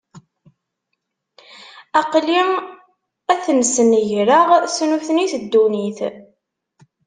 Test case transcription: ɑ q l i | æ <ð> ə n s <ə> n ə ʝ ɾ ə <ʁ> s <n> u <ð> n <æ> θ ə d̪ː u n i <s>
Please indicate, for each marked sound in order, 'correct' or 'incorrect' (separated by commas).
incorrect, correct, correct, correct, incorrect, incorrect, incorrect